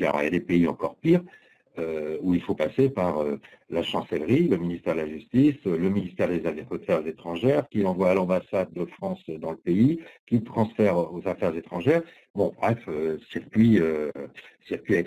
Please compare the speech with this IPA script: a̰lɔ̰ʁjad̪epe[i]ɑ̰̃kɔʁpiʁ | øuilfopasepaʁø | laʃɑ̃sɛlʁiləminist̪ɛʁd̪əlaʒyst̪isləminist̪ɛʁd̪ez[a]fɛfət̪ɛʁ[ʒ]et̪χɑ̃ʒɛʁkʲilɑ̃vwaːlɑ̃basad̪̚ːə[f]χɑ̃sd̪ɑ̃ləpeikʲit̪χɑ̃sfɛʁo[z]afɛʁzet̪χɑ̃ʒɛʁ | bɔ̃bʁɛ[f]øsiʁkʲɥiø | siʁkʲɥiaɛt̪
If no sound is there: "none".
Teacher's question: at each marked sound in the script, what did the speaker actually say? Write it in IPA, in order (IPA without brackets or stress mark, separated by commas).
i, a, z, f, z, f